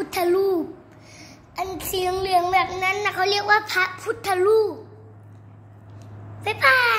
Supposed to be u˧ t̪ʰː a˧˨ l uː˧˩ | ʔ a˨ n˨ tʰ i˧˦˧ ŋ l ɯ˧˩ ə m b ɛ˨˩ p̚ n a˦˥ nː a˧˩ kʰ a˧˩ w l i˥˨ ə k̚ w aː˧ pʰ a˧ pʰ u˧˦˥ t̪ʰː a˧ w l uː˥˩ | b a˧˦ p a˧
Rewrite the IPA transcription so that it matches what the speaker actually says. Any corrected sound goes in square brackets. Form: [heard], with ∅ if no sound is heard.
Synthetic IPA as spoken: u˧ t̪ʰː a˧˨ l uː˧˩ | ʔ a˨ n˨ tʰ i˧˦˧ ŋ l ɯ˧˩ ə [ŋ] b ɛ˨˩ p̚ n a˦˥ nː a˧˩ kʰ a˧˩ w l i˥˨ ə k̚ w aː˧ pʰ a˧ pʰ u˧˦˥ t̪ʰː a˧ [∅] l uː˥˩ | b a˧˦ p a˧